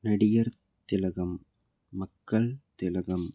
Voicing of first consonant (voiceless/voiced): voiced